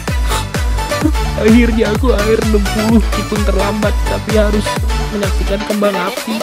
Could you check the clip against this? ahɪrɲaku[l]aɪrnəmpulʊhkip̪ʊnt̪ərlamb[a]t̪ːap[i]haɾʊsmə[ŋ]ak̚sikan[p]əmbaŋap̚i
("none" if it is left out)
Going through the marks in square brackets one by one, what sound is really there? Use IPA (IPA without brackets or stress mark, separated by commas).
none, a, i, ɲ, k